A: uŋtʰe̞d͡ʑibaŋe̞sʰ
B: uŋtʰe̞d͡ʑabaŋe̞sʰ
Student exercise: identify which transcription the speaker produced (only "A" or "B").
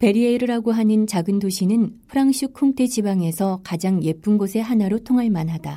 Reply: A